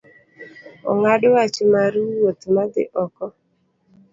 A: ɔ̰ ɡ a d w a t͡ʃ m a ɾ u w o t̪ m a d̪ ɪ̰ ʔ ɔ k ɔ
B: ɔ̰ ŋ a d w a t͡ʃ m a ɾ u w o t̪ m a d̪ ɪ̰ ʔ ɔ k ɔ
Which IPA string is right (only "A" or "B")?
B